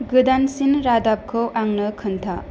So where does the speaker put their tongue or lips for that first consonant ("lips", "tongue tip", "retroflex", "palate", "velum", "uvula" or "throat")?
velum